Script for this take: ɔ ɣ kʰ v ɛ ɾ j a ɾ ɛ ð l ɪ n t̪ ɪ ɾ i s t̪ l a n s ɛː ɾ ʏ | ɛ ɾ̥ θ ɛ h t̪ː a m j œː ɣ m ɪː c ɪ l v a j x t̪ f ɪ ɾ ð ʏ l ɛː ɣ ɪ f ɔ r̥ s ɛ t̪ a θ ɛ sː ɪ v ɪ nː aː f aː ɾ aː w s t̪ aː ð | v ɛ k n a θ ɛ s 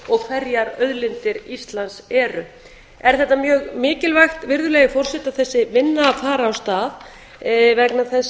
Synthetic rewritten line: ɔ ɣ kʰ v ɛ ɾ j a ɾ œ ð l ɪ n t̪ ɪ ɾ i s t̪ l a n s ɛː ɾ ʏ | ɛ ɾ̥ θ ɛ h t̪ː a m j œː ɣ m ɪː c ɪ l v a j x t̪ v ɪ ɾ ð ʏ l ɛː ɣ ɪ f ɔ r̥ s ɛ t̪ a θ ɛ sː ɪ v ɪ nː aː f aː ɾ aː w s t̪ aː ð | v ɛ k n a θ ɛ s